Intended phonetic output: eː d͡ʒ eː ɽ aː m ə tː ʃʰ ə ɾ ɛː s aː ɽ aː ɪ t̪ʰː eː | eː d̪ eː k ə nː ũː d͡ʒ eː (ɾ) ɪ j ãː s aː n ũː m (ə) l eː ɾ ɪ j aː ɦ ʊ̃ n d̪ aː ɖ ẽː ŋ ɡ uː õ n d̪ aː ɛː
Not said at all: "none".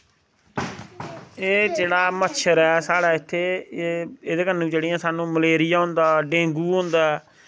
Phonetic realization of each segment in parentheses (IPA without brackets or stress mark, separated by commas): ɽ, ə